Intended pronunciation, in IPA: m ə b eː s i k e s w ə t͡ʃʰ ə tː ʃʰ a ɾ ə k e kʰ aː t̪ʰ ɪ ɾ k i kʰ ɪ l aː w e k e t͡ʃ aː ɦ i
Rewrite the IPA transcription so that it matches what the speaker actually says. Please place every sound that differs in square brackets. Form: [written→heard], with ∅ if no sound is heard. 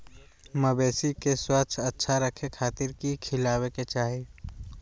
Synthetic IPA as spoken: m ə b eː s i k e s w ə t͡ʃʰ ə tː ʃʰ a ɾ ə [k→kʰ] e kʰ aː [t̪ʰ→t̪] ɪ ɾ k i kʰ ɪ l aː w e k e t͡ʃ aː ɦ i

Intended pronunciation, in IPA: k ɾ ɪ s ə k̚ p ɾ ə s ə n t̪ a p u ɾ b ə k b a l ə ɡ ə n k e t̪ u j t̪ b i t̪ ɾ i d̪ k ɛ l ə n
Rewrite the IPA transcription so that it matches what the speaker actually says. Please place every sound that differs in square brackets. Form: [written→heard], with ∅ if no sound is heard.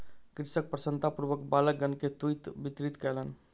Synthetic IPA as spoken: k ɾ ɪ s ə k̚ p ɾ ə s ə n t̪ a p u ɾ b ə k b a l ə ɡ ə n k e t̪ u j t̪ b i t̪ ɾ i [d̪→t̪] k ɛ l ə n

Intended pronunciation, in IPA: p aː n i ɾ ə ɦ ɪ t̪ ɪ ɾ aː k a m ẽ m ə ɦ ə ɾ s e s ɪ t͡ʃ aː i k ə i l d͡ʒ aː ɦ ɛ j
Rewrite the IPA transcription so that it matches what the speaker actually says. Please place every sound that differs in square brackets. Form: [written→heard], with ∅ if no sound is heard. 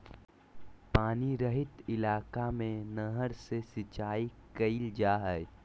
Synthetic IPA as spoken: p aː n i ɾ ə ɦ ɪ t̪ ɪ [ɾ→l] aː k a m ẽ [m→n] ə ɦ ə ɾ s e s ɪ t͡ʃ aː i k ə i l d͡ʒ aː ɦ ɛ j

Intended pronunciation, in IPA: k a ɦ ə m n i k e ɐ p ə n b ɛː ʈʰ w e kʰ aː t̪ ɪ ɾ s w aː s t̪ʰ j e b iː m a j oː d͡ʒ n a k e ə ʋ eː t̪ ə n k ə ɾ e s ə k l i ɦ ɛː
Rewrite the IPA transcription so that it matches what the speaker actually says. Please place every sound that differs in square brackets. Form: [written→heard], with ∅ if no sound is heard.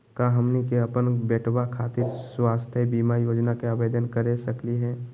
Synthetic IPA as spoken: k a ɦ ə m n i k e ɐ p ə n b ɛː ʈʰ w [e→a] kʰ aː t̪ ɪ ɾ s w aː s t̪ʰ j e b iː m a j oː d͡ʒ n a k e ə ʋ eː [t̪→d̪] ə n k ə ɾ e s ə k l i ɦ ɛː

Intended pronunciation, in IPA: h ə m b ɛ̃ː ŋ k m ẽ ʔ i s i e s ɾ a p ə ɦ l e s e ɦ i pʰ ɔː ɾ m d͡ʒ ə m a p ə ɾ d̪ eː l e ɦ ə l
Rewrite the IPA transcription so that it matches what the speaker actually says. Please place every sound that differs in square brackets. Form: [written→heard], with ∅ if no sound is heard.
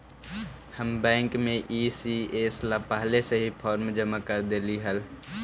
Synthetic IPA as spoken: h ə m b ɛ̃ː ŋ k m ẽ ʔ i s i e s [ɾ→l] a p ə ɦ l e s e ɦ i pʰ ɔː ɾ m d͡ʒ ə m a [p→k] ə ɾ d̪ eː l [e→i] ɦ ə l

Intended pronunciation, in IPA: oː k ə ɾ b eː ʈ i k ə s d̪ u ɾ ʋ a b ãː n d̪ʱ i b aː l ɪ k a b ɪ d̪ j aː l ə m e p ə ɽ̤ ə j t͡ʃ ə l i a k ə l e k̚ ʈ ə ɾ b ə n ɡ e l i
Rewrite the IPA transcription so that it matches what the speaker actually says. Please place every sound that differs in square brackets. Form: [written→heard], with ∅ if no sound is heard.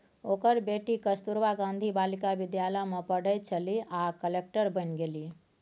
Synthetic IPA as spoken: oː k ə ɾ b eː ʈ i k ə s [d̪→t̪] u ɾ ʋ a [b→ɡ] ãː n d̪ʱ i b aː l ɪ k a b ɪ d̪ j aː l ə m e p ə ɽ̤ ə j t͡ʃ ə l i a k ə l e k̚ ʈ ə ɾ b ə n ɡ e l i

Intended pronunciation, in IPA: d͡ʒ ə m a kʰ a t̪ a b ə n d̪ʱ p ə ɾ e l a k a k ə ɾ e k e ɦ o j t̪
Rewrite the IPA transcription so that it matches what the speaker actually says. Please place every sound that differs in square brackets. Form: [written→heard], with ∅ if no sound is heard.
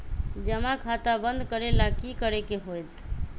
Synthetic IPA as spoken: d͡ʒ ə m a kʰ a t̪ a b ə n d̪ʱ [p→k] ə ɾ e l a k [a→i] k ə ɾ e k e ɦ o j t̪

